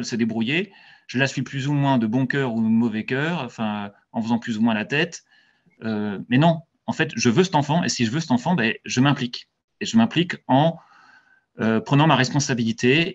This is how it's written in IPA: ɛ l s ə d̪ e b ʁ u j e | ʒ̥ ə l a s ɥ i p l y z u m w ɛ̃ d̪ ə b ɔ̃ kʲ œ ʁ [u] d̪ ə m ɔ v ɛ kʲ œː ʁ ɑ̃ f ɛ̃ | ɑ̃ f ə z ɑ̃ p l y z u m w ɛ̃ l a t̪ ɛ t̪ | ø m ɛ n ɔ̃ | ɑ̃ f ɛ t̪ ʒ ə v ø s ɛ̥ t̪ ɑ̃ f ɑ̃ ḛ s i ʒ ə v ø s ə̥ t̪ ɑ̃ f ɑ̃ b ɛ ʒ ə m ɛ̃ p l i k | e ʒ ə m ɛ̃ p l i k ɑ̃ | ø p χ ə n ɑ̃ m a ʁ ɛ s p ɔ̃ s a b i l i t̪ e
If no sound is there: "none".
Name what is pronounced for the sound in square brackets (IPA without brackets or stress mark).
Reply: u